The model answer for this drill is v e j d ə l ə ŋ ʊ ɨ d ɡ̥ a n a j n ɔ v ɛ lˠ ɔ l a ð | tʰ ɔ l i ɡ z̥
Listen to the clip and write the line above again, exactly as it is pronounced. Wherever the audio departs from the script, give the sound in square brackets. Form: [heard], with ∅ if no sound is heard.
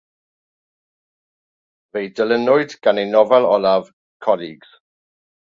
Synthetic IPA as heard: v e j d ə l ə [n] ʊ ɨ d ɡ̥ a n [e] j n ɔ v ɛ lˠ ɔ l a [v] | [kʰ] ɔ l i ɡ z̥